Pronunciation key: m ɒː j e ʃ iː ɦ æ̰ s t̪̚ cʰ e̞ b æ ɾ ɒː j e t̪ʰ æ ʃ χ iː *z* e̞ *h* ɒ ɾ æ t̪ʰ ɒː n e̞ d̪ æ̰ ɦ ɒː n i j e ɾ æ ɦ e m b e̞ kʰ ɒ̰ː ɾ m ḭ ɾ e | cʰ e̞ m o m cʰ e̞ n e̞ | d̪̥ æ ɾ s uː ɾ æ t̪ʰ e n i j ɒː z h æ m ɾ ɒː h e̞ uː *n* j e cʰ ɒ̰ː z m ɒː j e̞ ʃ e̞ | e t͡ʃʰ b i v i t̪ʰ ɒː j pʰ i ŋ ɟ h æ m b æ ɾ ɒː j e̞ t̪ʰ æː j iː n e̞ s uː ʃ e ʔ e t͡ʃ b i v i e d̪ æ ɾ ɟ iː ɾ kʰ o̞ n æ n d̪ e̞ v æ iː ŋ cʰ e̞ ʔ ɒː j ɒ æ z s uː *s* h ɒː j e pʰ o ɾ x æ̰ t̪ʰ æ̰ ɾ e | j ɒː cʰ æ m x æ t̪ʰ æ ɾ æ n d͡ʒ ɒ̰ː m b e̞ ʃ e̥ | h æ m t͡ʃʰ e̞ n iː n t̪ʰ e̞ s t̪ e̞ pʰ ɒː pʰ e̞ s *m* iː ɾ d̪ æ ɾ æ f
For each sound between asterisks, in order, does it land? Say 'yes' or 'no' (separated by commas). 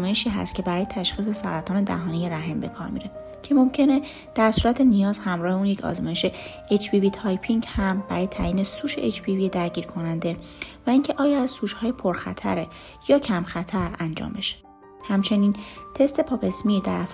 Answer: no, no, yes, no, yes